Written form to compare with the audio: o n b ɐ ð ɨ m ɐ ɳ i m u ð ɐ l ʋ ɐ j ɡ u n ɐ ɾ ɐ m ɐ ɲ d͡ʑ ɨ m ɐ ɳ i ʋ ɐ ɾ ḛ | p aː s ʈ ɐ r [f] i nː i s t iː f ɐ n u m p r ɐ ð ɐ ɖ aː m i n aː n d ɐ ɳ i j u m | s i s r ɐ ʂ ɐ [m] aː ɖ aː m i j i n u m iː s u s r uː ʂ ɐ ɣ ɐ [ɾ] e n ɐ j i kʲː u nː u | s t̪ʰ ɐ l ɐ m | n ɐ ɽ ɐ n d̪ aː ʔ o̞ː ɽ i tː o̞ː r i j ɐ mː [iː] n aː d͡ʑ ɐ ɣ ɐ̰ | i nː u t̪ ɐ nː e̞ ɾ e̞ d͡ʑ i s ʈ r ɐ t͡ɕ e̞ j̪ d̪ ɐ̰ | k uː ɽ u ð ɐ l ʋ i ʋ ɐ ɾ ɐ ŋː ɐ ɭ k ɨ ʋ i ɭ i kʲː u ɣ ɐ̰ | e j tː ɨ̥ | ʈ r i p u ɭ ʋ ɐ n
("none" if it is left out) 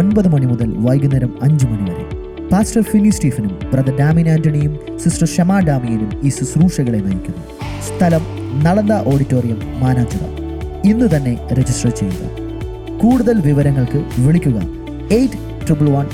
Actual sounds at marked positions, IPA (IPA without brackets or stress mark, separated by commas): f, m, ɭ, aː